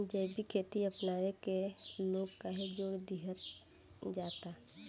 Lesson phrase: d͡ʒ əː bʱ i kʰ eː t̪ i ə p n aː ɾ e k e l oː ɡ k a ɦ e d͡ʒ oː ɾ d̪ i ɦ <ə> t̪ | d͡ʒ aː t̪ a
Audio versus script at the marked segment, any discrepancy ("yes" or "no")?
no